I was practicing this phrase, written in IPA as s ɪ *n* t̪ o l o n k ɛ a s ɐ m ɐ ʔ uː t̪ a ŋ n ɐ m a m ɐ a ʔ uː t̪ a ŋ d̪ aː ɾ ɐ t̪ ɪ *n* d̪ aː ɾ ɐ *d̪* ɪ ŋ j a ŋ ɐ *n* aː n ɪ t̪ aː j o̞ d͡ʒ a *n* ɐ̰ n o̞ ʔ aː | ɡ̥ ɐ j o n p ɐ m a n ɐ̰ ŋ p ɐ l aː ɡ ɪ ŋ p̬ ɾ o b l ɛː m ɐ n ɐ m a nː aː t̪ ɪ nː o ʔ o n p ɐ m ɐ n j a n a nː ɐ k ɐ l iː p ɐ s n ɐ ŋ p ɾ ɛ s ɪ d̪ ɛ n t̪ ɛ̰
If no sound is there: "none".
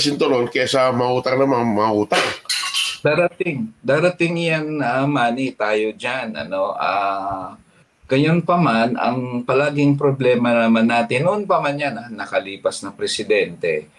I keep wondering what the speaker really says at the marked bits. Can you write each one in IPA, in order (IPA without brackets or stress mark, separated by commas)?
n, ŋ, t̪, m, n